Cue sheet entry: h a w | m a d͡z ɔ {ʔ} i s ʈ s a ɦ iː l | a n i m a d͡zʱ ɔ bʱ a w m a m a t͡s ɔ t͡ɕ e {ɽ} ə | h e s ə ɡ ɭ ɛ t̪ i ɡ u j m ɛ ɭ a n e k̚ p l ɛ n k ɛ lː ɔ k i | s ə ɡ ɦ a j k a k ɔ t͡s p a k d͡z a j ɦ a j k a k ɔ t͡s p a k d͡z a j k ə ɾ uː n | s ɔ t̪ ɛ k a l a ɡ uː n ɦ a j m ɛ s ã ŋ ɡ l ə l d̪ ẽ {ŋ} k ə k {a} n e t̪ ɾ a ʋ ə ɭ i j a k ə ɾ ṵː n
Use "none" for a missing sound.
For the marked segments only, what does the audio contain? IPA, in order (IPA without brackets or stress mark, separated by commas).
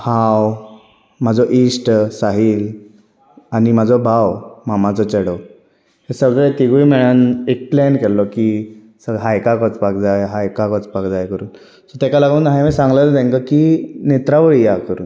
ʔ, ɽ, ŋ, i